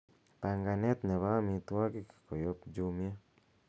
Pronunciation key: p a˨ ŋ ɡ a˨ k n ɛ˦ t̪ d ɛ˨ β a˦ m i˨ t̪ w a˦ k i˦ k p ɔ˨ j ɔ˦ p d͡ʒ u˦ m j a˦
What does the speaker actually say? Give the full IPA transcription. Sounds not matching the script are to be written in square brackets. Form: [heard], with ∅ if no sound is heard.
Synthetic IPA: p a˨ ŋ ɡ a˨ [∅] n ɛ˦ t̪ [n] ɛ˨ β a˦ m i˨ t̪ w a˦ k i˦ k [k] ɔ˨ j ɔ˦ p d͡ʒ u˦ m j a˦